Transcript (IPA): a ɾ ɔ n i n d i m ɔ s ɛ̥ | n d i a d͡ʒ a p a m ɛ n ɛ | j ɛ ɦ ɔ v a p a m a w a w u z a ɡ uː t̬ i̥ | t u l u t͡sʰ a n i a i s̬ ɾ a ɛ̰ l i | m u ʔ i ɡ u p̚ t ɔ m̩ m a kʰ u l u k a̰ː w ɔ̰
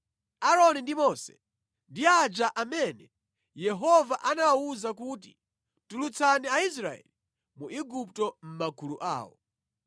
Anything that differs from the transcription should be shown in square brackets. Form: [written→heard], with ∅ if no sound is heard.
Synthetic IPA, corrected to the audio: a ɾ ɔ n i n d i m ɔ s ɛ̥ | n d i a d͡ʒ a [p→ʔ] a m ɛ n ɛ | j ɛ ɦ ɔ v a [p→ʔ] a [m→n] a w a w u z a [ɡ→k] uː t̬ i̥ | t u l u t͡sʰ a n i a i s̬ ɾ a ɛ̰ l i | m u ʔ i ɡ u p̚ t ɔ m̩ m a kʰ u l u [k→ʔ] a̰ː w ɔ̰